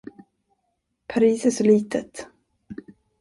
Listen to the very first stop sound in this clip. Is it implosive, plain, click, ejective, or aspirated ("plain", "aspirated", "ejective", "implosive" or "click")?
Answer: aspirated